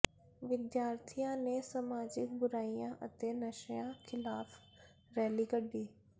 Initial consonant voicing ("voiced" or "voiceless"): voiced